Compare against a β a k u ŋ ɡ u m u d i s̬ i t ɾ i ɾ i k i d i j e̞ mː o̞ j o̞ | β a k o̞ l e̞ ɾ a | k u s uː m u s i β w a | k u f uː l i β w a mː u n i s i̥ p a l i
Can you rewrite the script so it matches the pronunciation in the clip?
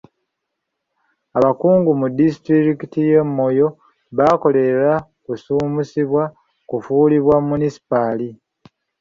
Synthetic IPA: a β a k uː ŋ ɡ u m u d i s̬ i t ɾ i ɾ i k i t i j e̞ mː o̞ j o̞ | β a k o̞ l e̞ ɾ a | k u s uː m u s i β w a | k u f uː l i β w a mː u n i s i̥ p a l i